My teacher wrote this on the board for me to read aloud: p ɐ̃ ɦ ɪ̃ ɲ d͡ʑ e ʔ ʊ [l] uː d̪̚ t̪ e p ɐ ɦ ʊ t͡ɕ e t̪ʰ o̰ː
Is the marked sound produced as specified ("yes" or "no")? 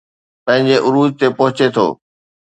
no